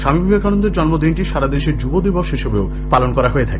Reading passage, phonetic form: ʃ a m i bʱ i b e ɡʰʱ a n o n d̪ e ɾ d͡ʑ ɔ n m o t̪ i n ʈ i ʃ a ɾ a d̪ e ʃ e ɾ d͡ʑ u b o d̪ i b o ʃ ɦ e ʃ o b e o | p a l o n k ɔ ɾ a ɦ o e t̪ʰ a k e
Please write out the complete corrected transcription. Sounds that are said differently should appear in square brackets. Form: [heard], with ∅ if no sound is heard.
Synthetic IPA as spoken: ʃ a m i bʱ i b e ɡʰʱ a n o n d̪ e ɾ d͡ʑ ɔ n m o [d̪] i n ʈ i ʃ a ɾ a d̪ e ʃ e ɾ d͡ʑ u b o d̪ i b o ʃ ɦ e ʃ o b e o | p a l o n k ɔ ɾ a ɦ o e t̪ʰ a k e